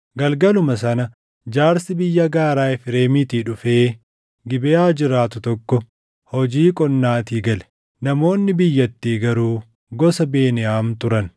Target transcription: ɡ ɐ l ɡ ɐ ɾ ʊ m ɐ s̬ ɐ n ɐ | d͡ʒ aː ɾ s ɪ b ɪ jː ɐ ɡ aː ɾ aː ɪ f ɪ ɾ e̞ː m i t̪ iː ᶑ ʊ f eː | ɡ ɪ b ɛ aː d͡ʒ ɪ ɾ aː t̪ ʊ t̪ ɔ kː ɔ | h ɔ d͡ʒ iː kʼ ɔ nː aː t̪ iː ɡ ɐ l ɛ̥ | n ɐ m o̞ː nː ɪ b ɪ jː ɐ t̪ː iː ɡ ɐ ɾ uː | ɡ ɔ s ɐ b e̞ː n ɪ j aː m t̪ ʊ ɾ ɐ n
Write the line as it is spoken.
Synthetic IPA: ɡ ɐ l ɡ ɐ l ʊ m ɐ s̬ ɐ n ɐ | d͡ʒ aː ɾ s ɪ b ɪ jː ɐ ɡ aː ɾ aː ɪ f ɪ ɾ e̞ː m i t̪ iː ᶑ ʊ f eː | ɡ ɪ b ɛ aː d͡ʒ ɪ ɾ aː t̪ ʊ t̪ ɔ kː ɔ | h ɔ d͡ʒ iː kʼ ɔ nː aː t̪ iː ɡ ɐ l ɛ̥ | n ɐ m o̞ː nː ɪ b ɪ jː ɐ t̪ː iː ɡ ɐ ɾ uː | ɡ ɔ s ɐ b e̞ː n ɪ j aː m t̪ ʊ ɾ ɐ n